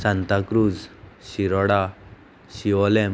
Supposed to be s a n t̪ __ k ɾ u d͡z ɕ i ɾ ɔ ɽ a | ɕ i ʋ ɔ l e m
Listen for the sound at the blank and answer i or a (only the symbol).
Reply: a